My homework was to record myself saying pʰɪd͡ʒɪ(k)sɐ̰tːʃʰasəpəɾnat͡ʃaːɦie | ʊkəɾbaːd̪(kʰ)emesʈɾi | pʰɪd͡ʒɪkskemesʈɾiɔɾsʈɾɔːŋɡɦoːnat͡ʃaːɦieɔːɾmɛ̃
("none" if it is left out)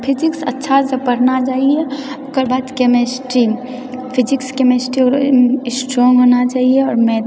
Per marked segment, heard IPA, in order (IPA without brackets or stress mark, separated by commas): k, k